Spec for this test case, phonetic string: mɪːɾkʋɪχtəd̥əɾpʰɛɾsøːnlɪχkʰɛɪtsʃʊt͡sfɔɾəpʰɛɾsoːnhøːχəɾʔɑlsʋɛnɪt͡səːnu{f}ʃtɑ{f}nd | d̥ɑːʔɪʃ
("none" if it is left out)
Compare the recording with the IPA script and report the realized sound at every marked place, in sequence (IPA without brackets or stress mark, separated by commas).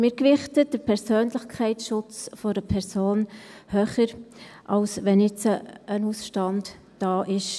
s, none